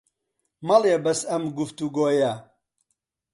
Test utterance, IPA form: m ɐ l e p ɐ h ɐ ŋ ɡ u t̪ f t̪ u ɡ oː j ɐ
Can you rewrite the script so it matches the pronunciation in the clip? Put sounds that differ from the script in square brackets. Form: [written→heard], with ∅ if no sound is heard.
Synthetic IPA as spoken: m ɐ l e [p→b] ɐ [h→s] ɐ [ŋ→m] ɡ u [t̪→∅] f t̪ u ɡ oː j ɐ